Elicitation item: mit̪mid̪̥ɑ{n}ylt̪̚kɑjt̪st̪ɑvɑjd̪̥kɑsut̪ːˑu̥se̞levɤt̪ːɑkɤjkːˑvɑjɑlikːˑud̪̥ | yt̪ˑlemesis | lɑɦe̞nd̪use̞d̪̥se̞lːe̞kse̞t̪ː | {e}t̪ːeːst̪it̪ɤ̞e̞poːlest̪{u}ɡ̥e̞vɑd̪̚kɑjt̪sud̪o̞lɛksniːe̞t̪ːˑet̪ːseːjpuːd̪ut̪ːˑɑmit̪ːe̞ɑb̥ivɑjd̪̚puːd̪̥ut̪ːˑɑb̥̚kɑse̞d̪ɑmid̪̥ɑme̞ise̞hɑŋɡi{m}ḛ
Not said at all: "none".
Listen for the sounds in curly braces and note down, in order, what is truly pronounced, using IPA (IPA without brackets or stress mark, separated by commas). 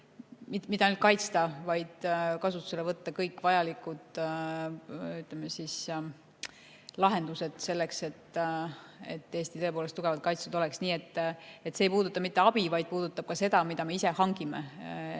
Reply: n, e, u, m